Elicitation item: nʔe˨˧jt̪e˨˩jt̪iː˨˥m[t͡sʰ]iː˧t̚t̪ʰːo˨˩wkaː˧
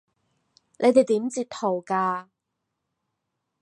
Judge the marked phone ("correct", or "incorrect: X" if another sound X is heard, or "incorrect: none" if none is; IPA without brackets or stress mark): incorrect: t͡s